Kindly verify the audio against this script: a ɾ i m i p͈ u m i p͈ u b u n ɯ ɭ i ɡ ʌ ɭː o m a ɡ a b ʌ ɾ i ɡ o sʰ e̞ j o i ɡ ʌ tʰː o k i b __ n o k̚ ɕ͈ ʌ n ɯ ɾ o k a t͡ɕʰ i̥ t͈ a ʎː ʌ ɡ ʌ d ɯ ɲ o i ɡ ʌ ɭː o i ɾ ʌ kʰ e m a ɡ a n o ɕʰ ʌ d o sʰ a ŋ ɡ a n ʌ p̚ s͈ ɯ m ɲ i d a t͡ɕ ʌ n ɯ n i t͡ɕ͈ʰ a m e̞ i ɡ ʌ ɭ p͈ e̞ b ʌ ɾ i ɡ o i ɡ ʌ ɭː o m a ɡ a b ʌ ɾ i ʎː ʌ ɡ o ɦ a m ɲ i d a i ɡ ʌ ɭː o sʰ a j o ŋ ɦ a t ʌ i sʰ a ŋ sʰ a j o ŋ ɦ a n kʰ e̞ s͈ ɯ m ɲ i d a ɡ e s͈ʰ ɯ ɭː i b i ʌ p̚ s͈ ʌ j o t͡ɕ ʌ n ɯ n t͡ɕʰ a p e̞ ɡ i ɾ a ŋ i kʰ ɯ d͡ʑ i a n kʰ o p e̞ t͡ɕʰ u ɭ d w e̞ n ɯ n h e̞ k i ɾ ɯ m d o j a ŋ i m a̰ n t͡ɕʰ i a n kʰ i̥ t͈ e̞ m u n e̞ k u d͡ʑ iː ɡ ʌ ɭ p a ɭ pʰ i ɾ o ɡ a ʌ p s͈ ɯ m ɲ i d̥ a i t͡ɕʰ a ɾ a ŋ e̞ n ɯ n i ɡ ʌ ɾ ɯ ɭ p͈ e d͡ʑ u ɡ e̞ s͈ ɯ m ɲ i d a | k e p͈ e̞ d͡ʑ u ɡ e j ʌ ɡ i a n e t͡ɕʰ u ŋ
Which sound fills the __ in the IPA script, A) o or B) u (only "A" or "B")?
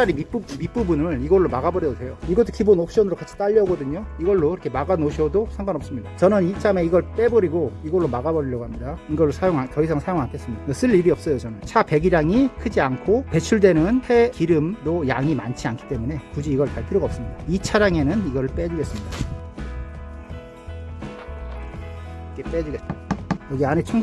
A